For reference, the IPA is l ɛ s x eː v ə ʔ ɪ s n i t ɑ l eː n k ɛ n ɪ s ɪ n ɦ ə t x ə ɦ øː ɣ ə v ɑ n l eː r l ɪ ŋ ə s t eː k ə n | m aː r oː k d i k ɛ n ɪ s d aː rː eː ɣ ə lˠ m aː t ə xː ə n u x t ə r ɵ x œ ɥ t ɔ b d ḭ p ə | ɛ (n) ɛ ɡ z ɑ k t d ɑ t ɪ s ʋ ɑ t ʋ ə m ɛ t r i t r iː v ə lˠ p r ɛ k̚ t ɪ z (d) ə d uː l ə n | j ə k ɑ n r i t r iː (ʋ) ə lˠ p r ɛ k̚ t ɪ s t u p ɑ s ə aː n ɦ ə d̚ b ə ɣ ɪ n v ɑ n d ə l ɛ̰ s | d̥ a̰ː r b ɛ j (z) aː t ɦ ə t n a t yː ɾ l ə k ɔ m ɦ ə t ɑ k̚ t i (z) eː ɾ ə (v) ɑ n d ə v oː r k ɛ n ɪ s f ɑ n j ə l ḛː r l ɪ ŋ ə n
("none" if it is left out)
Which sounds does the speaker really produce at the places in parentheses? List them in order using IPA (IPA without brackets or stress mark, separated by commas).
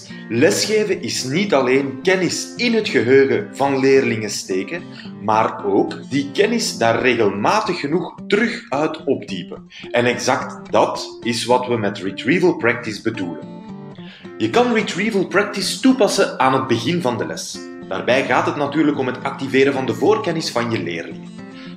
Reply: n, b, v, ɣ, v, v